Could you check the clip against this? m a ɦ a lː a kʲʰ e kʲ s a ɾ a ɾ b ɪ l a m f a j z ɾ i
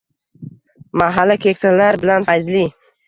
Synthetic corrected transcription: m a ɦ a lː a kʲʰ e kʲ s a l a ɾ b ɪ l a n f a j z l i